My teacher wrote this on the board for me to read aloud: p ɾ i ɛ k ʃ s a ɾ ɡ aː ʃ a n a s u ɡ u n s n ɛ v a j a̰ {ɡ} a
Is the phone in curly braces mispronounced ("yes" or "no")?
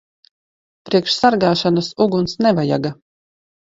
no